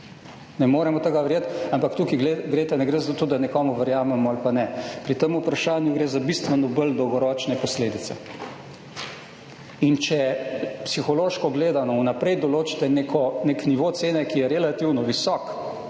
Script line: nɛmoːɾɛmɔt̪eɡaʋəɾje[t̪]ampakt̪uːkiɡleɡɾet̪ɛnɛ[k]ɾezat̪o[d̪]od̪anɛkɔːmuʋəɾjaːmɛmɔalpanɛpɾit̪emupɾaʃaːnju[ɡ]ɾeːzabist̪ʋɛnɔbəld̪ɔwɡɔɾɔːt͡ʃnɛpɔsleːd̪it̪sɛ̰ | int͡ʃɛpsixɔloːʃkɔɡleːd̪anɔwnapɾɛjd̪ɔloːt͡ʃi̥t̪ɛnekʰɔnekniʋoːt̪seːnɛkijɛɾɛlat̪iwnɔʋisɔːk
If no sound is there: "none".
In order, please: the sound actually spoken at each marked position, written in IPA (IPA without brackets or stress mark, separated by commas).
t̪, ɡ, t̪, ɡ